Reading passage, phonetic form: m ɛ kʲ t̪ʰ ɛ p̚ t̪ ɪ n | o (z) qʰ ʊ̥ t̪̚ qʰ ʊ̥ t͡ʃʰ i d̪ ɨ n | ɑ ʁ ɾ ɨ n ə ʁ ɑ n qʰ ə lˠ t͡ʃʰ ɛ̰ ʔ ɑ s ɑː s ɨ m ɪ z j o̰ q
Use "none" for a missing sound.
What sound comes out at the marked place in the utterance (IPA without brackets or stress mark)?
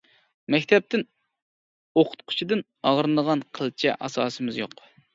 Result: none